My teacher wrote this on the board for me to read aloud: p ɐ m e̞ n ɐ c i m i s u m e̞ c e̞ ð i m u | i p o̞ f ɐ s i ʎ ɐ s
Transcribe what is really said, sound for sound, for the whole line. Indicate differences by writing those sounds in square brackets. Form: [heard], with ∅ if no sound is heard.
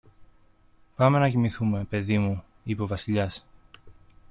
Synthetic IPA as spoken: p ɐ m e̞ n ɐ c i m i [θ] u m e̞ [p] e̞ ð i m u | i p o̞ [v] ɐ s i ʎ ɐ s